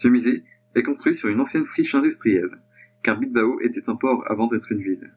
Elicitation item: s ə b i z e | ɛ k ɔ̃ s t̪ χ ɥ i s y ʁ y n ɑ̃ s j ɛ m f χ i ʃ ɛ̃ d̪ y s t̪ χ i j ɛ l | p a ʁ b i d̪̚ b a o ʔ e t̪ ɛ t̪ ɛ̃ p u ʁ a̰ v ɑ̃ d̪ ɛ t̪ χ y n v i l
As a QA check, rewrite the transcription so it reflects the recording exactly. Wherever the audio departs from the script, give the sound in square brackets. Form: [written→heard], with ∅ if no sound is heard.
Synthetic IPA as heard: s ə [b→m] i z e | ɛ k ɔ̃ s t̪ χ ɥ i s y ʁ y n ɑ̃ s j ɛ [m→n] f χ i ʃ ɛ̃ d̪ y s t̪ χ i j ɛ l | [p→k] a ʁ b i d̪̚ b a o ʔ e t̪ ɛ t̪ ɛ̃ p [u→ɔ] ʁ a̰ v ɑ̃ d̪ ɛ t̪ χ y n v i l